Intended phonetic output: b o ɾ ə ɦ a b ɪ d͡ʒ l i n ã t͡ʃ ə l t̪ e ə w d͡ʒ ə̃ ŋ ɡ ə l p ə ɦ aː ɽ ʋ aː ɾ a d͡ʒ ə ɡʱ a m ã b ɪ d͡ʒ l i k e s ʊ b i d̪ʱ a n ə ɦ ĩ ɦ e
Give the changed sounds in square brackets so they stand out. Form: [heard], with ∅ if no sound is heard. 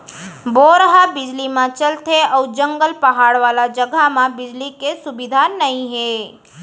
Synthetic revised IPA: b o ɾ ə ɦ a b ɪ d͡ʒ l i [m] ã t͡ʃ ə l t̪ e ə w d͡ʒ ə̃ ŋ ɡ ə l p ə ɦ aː ɽ ʋ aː [l] a d͡ʒ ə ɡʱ a m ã b ɪ d͡ʒ l i k e s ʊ b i d̪ʱ a n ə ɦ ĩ ɦ e